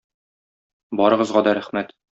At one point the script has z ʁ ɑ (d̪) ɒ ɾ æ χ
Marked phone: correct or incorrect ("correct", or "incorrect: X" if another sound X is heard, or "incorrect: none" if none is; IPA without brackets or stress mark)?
correct